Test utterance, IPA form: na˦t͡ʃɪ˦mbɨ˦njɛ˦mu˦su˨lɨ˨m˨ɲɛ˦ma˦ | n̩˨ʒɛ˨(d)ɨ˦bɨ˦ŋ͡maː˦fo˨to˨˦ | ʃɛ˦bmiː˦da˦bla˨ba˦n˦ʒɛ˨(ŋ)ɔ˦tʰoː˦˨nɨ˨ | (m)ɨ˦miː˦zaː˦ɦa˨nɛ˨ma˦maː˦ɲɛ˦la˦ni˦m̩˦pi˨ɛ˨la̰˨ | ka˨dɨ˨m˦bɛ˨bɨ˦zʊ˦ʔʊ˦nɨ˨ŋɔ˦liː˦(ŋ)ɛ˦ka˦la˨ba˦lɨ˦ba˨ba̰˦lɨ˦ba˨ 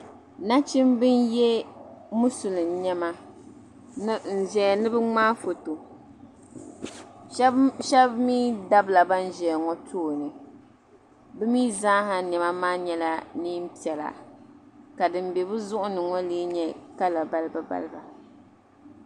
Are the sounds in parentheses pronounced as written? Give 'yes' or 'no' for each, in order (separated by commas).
no, yes, no, no